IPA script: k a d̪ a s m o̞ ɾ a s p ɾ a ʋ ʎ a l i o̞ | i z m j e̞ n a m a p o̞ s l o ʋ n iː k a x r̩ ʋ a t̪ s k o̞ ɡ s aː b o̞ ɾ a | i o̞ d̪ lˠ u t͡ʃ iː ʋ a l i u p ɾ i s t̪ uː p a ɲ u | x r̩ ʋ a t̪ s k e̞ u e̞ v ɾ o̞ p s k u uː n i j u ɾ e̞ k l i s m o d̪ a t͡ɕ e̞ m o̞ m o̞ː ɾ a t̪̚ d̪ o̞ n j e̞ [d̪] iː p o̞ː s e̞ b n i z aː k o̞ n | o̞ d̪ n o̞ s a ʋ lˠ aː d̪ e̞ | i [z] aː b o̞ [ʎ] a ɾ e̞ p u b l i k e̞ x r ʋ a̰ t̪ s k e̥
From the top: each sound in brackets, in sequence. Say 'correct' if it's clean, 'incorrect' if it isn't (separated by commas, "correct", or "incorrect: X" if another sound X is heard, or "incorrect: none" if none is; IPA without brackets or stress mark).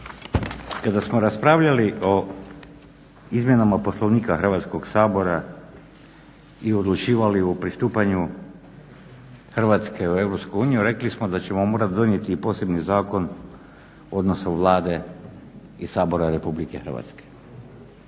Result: incorrect: t̪, incorrect: s, incorrect: ɾ